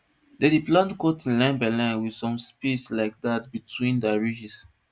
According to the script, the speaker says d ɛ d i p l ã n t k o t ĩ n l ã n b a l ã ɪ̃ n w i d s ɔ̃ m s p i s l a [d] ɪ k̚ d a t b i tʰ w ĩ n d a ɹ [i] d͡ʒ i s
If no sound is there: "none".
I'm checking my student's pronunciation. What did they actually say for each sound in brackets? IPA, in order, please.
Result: none, i

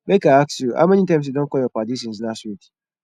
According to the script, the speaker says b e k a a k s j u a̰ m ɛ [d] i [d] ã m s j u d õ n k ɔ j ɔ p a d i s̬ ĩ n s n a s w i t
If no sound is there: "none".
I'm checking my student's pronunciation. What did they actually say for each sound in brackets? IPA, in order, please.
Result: n, t

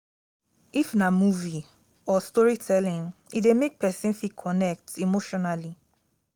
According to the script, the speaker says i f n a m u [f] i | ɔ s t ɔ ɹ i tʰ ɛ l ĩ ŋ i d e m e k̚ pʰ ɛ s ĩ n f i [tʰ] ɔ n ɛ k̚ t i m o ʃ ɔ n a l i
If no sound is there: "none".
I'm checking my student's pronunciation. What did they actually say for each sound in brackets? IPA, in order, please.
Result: v, kʰ

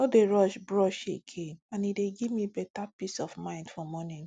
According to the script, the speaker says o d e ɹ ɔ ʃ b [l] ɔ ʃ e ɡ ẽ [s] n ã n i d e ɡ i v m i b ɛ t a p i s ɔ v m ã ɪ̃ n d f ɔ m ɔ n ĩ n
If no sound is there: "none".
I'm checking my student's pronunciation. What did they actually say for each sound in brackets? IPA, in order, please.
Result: ɹ, none

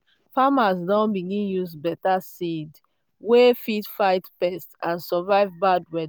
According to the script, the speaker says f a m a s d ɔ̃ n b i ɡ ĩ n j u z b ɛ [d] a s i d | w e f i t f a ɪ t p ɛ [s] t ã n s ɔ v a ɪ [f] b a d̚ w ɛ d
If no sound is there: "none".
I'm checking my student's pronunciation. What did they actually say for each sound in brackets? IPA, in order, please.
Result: t, s, v

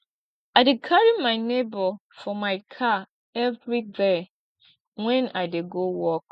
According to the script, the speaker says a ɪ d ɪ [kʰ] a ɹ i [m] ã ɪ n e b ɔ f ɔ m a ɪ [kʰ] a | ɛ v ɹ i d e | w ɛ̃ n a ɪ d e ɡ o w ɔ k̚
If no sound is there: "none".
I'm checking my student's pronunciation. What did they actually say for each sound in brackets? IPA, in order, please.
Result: kʰ, m, kʰ

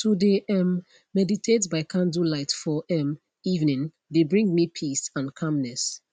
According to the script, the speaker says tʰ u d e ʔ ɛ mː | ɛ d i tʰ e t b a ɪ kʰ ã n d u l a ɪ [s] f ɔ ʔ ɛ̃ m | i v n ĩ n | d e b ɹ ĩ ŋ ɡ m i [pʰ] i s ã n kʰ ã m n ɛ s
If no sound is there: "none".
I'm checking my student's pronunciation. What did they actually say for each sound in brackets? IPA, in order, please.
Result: t, pʰ

